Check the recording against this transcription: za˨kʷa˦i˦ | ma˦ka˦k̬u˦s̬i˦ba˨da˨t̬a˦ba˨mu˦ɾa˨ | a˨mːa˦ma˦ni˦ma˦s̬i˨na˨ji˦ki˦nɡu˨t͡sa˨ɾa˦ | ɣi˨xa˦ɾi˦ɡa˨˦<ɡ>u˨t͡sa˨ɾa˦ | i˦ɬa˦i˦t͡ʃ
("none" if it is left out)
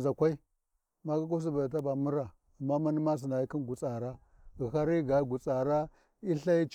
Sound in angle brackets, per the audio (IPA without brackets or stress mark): ɡ